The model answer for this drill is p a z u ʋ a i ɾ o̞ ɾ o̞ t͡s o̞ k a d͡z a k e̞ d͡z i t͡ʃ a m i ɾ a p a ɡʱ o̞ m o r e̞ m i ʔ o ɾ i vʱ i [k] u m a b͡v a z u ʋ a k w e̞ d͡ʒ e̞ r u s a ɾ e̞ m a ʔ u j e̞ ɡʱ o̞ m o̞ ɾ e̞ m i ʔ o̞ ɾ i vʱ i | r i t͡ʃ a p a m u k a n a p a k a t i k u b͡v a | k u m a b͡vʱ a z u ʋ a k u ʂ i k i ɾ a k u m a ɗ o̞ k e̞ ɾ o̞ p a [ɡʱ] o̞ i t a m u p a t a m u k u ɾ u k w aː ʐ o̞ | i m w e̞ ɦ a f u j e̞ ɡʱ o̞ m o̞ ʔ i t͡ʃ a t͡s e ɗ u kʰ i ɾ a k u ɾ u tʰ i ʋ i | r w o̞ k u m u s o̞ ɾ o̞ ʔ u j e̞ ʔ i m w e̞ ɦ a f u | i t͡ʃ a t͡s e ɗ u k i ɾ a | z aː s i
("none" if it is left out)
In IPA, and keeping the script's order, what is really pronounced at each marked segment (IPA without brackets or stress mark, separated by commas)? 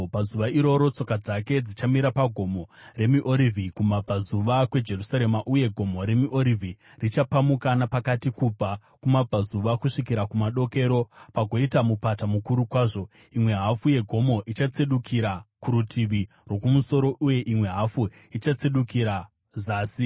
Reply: k, ɡʱ